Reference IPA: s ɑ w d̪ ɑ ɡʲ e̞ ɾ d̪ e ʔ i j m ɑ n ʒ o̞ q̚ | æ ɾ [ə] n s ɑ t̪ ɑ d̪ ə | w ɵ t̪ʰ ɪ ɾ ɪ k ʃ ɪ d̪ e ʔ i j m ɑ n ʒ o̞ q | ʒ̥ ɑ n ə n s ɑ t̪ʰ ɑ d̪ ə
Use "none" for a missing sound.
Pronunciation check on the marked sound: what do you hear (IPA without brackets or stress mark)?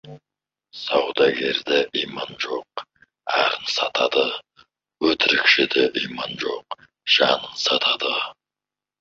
ə